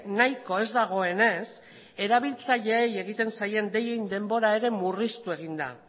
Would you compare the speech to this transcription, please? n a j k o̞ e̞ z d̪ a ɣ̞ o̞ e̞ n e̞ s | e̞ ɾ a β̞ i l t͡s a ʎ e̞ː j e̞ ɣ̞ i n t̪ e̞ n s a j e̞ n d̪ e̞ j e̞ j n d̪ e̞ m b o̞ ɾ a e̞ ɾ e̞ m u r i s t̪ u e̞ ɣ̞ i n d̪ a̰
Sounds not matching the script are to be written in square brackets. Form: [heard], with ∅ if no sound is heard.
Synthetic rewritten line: n a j k o̞ e̞ z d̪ a ɣ̞ o̞ e̞ n e̞ s | e̞ ɾ a β̞ i l t͡s a ʎ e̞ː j e̞ ɣ̞ i [∅] t̪ e̞ n s a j e̞ n d̪ e̞ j e̞ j n d̪ e̞ m b o̞ ɾ a e̞ ɾ e̞ m u r i s t̪ u e̞ ɣ̞ i n d̪ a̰